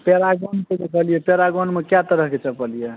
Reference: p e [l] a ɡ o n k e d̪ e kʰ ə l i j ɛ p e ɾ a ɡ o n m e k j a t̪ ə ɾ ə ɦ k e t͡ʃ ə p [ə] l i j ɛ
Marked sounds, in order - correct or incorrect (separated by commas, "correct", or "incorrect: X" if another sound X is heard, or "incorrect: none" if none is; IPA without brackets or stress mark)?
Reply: incorrect: ɾ, correct